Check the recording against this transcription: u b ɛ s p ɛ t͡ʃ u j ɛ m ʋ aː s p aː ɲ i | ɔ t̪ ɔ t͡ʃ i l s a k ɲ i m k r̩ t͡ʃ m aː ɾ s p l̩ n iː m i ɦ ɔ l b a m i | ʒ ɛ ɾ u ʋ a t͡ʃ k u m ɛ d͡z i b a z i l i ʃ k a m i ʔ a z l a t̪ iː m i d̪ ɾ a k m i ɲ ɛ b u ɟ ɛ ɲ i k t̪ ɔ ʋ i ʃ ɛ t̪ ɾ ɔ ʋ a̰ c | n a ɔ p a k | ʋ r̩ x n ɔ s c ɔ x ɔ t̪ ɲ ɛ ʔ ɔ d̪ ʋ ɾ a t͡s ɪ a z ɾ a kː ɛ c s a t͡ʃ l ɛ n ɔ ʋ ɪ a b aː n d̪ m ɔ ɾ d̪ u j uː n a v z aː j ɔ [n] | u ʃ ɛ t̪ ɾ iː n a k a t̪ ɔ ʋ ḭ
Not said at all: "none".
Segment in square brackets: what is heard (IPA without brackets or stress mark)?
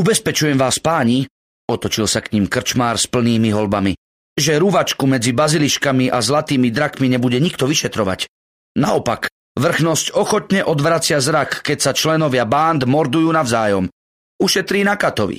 m